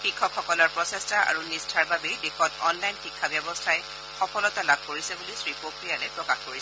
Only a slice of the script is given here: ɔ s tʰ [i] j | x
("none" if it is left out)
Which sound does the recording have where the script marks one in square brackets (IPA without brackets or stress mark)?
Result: a